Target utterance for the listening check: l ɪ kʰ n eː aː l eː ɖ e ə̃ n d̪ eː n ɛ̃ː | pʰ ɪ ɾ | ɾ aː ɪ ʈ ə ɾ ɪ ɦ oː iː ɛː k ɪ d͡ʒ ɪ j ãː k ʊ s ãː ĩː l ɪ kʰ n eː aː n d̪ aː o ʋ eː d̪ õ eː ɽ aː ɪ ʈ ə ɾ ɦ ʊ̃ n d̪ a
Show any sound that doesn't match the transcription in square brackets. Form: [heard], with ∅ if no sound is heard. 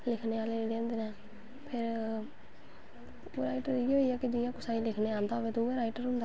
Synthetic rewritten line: l ɪ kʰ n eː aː l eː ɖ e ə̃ n d̪ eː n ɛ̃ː | pʰ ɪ ɾ | ɾ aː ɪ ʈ ə ɾ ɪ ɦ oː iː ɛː k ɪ d͡ʒ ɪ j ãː k ʊ s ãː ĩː l ɪ kʰ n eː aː n d̪ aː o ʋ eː [t̪] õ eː [ɾ] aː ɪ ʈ ə ɾ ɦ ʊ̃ n d̪ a